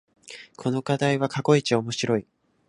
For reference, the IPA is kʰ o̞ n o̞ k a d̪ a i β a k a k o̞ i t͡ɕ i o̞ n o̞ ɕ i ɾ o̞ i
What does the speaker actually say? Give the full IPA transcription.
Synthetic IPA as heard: kʰ o̞ n o̞ k a d̪ a i β a k a k o̞ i t͡ɕ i o̞ m o̞ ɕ i ɾ o̞ i